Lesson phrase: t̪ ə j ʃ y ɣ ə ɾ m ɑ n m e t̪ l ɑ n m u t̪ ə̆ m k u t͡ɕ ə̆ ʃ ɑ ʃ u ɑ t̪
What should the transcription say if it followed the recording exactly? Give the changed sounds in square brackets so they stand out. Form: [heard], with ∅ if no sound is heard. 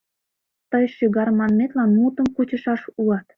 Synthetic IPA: t̪ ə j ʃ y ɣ [ɑ] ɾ m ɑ n m e t̪ l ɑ n m u t̪ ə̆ m k u t͡ɕ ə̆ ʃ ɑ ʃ u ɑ t̪